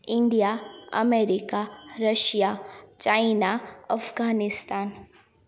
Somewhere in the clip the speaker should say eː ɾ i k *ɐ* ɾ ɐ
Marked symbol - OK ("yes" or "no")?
no